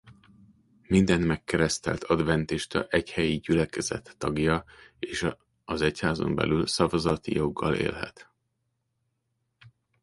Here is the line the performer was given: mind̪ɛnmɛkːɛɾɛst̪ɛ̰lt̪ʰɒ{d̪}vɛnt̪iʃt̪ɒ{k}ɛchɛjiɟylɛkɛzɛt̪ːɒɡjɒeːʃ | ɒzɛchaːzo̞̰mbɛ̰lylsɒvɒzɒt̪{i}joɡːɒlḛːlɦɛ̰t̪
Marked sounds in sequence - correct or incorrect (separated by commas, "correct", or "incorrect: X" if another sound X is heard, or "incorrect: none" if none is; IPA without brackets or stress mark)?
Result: correct, incorrect: ʔ, correct